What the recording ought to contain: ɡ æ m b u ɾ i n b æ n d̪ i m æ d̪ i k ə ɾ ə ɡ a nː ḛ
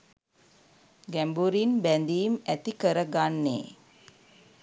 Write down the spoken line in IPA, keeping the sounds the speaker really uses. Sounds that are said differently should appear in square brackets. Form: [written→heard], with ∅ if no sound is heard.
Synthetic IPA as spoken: ɡ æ m b u ɾ i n b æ n d̪ [i→iː] m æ [d̪→t̪] i k ə ɾ ə ɡ a nː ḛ